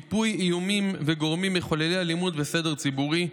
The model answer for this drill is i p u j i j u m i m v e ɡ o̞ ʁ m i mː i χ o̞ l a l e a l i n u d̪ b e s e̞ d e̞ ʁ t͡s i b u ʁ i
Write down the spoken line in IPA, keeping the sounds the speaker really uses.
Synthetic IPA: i p u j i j u m i m v e ɡ o̞ ʁ m i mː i χ o̞ l e l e a l i m u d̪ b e s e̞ d e̞ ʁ t͡s i b u ʁ i